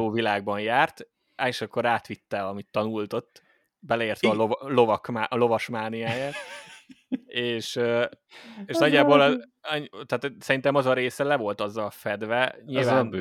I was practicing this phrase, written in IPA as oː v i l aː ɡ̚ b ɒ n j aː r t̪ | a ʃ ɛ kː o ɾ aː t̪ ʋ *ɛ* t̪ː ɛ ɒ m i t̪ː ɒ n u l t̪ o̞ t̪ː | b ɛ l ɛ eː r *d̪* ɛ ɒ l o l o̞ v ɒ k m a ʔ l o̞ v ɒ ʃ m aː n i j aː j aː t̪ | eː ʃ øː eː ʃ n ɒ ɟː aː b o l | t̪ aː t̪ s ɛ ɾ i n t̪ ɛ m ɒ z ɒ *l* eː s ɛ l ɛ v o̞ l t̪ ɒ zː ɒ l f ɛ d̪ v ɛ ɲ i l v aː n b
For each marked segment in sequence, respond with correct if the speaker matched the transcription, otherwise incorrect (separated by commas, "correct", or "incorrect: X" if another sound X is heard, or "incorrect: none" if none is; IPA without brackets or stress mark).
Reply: incorrect: i, incorrect: t̪, incorrect: ɾ